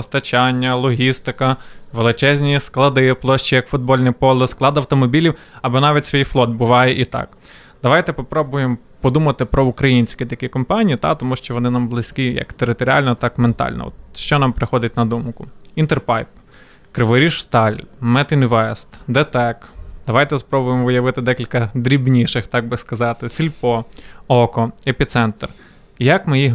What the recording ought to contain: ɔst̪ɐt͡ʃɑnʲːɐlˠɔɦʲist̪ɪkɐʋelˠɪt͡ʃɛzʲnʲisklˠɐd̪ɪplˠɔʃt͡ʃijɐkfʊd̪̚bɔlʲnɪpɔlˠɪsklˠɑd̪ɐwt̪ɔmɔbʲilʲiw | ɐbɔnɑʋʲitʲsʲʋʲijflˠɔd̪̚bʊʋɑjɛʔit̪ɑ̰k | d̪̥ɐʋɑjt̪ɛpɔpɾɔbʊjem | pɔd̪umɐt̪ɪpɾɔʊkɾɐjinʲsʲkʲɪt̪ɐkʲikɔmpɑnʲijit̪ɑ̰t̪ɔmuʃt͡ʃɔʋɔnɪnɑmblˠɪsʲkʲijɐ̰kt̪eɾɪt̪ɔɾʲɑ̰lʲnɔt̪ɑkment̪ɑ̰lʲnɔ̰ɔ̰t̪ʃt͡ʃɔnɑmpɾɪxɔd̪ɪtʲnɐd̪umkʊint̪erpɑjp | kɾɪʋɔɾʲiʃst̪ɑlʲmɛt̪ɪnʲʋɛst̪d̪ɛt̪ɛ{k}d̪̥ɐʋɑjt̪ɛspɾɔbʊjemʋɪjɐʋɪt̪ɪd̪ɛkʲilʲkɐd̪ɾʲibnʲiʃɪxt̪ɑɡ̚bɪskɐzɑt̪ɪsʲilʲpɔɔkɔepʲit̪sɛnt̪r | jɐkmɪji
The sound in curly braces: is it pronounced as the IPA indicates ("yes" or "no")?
yes